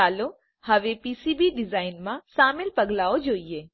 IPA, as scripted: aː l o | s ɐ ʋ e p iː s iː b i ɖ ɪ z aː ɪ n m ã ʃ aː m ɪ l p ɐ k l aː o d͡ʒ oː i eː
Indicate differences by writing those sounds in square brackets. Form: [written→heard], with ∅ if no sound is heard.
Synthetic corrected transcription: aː l o | [s→h] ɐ ʋ e p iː s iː b i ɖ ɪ z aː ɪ n m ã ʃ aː m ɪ l p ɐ [k→ɡ] l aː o d͡ʒ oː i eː